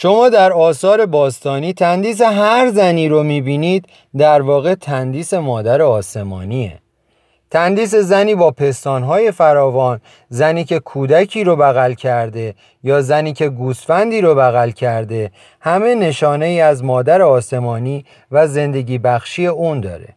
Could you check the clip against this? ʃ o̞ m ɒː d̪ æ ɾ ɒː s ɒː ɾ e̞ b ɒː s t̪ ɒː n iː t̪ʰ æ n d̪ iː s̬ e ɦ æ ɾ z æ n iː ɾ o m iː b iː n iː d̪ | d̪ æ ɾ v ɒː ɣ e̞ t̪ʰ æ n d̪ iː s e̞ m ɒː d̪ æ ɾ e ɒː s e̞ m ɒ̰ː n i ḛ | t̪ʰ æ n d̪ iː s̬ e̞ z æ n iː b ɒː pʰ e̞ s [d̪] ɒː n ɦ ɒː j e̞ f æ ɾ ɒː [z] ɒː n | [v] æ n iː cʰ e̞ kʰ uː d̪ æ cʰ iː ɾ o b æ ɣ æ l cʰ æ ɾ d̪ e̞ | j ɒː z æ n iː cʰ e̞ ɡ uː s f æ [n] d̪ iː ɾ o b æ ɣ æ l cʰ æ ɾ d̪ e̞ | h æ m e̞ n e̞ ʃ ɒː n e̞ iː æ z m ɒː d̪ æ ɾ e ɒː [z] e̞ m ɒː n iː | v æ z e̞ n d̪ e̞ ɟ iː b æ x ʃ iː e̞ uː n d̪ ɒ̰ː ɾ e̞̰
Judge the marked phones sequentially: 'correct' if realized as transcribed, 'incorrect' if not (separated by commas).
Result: incorrect, incorrect, incorrect, correct, incorrect